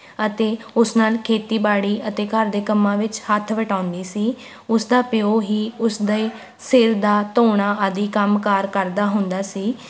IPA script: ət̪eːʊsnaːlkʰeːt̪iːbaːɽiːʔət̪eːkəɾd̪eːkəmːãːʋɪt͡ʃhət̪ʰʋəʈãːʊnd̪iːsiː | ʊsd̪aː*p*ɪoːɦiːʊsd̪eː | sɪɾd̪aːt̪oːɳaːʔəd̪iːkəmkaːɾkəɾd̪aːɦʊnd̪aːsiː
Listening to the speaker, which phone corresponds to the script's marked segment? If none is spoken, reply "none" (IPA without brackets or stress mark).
p